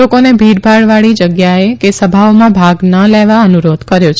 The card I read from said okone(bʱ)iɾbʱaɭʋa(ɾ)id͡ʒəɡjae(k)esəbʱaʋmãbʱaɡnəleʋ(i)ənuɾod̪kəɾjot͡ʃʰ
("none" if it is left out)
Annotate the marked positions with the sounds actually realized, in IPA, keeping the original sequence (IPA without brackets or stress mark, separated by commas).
bʱ, ɭ, k, a